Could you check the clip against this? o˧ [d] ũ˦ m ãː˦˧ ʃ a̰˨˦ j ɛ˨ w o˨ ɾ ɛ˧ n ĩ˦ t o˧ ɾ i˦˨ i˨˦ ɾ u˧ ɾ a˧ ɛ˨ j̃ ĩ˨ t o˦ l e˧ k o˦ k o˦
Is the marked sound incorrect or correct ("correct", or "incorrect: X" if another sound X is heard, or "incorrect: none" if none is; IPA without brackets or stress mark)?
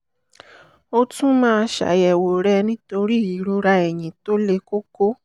incorrect: t